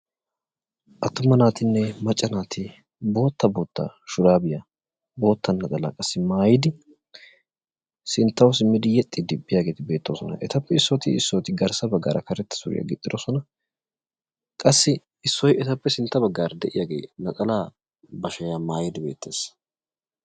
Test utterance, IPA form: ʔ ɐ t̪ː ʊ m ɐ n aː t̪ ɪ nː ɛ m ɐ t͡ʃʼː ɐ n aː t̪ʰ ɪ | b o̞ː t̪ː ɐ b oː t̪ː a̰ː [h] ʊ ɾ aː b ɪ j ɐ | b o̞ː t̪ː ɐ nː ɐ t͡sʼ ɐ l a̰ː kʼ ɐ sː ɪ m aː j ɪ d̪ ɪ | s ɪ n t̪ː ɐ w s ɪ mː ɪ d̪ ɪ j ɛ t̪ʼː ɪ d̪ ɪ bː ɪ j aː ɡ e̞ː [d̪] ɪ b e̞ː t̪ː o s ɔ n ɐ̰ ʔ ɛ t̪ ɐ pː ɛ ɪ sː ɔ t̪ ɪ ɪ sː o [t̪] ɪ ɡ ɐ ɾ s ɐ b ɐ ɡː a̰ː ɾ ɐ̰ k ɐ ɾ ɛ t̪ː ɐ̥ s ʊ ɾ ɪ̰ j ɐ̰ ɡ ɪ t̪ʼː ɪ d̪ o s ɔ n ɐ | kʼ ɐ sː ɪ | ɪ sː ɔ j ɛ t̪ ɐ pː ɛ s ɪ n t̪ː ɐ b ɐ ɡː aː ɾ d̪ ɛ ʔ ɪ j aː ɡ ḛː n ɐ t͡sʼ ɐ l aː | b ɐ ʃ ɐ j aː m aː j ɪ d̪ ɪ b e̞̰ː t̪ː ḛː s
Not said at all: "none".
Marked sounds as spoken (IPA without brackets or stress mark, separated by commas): ʃ, t̪, t̪